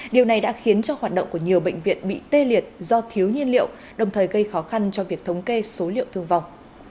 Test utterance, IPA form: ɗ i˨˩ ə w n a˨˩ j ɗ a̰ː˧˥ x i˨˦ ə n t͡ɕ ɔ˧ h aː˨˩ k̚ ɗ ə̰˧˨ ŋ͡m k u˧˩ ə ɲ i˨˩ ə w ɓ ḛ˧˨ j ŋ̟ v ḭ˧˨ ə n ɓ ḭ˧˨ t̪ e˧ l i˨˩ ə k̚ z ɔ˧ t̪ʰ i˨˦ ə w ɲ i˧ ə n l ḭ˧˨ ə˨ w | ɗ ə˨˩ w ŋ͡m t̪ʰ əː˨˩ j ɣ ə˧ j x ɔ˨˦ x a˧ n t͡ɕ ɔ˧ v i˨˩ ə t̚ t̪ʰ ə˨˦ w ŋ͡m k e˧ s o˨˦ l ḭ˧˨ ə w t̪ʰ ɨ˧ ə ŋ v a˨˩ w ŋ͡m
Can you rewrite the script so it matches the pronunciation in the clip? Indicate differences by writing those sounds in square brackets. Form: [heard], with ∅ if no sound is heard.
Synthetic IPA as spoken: ɗ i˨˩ ə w n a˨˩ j ɗ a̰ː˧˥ x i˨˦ ə n t͡ɕ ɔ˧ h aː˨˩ [t̚] ɗ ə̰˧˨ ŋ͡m k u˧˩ ə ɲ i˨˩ ə w ɓ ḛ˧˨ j ŋ̟ v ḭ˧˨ ə n ɓ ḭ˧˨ t̪ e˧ l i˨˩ ə [t̚] z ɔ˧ t̪ʰ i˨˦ ə w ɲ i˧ ə n l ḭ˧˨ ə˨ w | ɗ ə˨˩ w ŋ͡m t̪ʰ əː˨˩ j ɣ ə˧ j x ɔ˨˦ x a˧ n t͡ɕ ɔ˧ v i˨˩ ə [k̚] t̪ʰ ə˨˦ w ŋ͡m k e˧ s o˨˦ l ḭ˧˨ ə w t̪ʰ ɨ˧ ə ŋ v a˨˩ w ŋ͡m